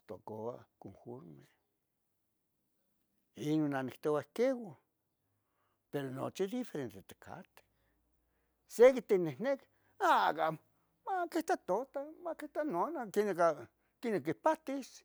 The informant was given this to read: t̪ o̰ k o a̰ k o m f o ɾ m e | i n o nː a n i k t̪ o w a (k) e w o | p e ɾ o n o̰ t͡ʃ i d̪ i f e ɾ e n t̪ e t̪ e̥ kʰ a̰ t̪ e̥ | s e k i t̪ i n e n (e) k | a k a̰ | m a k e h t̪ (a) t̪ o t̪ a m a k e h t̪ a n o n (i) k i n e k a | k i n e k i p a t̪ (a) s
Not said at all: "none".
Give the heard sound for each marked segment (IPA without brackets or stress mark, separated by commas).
k, e, a, a, i